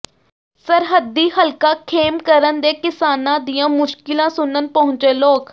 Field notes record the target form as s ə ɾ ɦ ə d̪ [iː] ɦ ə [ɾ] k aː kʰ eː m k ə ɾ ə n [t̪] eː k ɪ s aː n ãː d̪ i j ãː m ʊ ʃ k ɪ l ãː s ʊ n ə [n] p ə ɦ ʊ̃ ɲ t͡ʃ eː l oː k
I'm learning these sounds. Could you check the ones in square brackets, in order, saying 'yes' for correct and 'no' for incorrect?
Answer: yes, no, no, yes

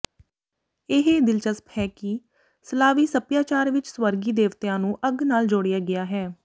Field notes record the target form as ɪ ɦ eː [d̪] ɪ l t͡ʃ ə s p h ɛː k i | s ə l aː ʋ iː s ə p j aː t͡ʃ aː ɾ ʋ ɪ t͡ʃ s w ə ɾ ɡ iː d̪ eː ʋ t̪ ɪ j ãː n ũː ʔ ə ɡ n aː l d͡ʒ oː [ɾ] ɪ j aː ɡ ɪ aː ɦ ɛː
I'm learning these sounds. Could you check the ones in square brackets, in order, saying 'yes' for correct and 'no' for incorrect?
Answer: yes, no

